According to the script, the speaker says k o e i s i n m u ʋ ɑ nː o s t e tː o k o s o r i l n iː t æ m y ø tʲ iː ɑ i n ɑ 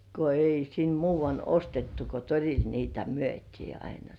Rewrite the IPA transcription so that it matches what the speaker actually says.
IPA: k o e i s i n m uː ʋ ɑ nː o s t e tː u k o t o r i l n iː t æ m y ø tʲ iː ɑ i n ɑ